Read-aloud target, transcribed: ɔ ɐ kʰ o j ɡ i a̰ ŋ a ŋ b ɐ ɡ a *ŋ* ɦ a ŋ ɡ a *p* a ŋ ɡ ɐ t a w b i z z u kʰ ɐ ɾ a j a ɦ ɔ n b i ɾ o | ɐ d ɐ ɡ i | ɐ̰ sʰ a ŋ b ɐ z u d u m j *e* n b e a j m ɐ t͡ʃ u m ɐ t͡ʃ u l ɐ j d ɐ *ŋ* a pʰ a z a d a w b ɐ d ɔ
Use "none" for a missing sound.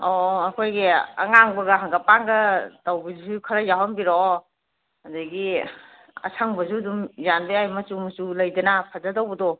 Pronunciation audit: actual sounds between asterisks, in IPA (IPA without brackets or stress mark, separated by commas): none, p, a, n